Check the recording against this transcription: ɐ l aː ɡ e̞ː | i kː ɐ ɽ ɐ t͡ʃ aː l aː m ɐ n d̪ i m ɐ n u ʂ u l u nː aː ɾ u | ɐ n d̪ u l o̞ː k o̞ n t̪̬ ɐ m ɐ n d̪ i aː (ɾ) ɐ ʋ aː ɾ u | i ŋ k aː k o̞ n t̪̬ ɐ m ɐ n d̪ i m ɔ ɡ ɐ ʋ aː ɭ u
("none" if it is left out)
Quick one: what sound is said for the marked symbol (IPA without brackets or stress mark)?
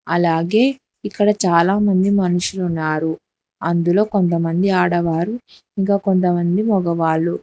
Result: ɽ